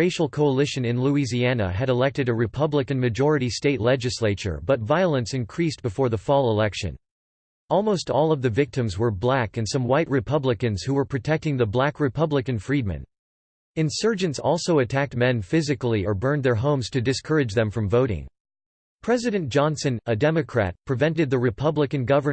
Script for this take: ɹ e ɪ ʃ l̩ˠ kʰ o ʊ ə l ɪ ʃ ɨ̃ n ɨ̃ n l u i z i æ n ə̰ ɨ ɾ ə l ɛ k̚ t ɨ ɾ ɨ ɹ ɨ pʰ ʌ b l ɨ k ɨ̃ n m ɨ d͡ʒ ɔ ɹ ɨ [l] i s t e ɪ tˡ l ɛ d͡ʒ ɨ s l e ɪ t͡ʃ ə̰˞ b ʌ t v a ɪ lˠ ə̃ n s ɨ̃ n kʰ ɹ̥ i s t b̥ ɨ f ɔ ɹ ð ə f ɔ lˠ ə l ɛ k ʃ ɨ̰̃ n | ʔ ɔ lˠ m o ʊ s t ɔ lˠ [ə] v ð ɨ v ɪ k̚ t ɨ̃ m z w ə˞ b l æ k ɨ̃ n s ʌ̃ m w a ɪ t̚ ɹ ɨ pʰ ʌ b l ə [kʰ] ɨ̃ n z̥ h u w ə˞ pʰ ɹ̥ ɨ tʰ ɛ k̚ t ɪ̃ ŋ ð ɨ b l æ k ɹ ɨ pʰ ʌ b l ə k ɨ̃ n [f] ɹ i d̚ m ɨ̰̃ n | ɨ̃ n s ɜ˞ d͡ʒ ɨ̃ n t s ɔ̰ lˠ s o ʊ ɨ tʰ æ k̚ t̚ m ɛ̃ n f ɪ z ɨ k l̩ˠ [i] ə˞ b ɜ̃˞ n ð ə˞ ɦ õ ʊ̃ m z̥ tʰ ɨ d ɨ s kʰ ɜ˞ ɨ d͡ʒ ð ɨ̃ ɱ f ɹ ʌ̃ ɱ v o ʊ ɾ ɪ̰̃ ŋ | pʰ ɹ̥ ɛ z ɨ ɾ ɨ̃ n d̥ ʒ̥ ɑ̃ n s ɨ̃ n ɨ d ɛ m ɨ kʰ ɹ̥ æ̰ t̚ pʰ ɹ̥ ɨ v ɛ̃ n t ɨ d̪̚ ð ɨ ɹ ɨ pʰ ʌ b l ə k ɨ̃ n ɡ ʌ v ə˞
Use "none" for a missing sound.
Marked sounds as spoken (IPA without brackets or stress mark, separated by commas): ɾ, ʌ, k, f, i